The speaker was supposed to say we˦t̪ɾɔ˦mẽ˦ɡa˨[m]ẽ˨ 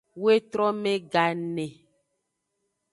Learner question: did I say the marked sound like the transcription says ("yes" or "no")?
no